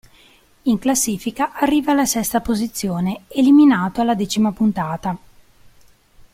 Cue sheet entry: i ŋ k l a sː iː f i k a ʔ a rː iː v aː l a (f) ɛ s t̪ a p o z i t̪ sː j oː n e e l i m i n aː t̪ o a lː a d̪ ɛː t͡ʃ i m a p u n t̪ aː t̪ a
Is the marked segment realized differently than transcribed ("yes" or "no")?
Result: yes